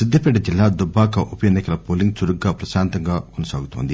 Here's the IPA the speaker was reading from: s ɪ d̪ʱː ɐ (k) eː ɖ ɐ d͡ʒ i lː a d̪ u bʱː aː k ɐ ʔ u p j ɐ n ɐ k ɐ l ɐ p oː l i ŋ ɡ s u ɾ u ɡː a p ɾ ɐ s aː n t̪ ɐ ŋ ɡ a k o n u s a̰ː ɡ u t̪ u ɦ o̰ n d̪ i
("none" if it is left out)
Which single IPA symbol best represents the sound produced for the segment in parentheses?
p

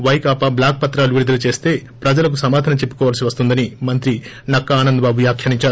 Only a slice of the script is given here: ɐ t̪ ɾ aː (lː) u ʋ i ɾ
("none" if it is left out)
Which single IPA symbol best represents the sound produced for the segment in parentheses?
l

